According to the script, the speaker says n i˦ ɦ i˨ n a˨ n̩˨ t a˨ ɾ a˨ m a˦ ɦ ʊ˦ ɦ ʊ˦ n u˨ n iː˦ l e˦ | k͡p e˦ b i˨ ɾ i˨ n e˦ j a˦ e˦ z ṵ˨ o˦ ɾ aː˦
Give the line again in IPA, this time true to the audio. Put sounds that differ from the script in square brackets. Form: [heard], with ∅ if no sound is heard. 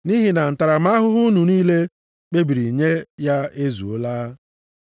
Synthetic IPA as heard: n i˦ ɦ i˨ n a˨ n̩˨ t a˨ ɾ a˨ m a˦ ɦ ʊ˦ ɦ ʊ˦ n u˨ n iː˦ l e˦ | k͡p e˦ b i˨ ɾ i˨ [ɲ] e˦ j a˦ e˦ z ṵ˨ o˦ [l] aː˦